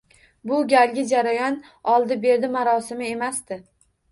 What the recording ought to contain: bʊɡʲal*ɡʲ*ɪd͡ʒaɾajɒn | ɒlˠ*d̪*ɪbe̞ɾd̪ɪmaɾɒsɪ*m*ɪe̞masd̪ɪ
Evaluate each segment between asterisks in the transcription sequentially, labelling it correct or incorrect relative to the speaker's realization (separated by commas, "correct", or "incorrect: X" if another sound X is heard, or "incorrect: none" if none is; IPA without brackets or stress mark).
correct, correct, correct